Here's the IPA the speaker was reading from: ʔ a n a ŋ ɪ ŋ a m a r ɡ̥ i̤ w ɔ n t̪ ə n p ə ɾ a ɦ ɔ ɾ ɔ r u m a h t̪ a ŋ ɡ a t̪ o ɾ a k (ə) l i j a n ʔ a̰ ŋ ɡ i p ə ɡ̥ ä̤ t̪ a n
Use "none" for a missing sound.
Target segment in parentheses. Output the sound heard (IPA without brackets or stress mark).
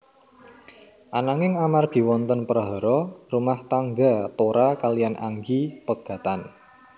a